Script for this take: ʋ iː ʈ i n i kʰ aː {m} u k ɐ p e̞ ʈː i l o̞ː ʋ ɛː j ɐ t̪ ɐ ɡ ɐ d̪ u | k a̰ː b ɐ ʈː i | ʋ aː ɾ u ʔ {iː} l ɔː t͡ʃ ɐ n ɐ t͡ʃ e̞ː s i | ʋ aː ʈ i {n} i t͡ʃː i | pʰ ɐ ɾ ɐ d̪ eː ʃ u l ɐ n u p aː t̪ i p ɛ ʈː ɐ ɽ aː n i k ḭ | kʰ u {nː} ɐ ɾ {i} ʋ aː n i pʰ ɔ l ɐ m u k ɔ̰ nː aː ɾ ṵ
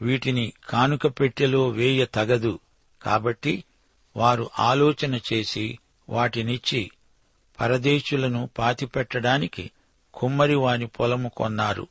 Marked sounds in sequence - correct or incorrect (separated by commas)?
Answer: incorrect, incorrect, correct, incorrect, correct